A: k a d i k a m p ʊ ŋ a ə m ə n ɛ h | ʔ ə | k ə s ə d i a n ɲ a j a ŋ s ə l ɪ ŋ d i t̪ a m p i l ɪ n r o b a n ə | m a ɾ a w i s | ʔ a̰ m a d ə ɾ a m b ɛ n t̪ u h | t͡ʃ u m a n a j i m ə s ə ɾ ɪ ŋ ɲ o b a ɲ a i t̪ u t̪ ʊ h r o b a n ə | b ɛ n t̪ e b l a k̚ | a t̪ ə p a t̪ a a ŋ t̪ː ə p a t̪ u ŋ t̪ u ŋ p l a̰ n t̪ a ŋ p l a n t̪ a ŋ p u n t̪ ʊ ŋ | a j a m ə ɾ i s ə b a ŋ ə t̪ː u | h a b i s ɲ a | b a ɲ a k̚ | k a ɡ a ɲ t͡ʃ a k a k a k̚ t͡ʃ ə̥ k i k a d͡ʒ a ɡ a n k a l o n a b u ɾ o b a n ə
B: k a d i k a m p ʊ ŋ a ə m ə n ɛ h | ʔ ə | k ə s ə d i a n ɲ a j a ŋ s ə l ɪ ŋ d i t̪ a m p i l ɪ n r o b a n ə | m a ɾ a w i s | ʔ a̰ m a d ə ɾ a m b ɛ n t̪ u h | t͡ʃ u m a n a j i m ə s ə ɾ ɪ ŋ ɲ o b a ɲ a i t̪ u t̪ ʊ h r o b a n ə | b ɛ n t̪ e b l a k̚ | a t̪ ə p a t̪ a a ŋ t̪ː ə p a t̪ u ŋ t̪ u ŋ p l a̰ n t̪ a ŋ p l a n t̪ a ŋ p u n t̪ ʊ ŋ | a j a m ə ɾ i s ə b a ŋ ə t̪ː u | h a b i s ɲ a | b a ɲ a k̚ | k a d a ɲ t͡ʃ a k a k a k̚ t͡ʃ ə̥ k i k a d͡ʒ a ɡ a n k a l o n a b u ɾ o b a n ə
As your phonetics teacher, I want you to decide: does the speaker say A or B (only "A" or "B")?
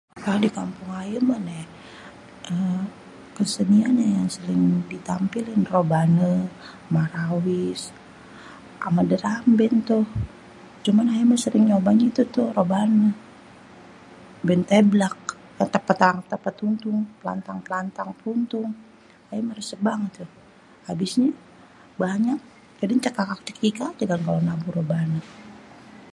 B